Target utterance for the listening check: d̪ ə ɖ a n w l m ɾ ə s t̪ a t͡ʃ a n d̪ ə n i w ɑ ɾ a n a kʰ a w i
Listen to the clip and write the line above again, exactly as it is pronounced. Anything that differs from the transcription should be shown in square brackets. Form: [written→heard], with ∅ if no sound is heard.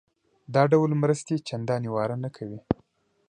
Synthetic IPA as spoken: d̪ [ə→ɑ] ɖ a [n→∅] w l m ɾ ə s t̪ [a→e] t͡ʃ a n d̪ [ə→ɑ] n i w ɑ ɾ a n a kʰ a w i